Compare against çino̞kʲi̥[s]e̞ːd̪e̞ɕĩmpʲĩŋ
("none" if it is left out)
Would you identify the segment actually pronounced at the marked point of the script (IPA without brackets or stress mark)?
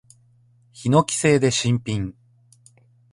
s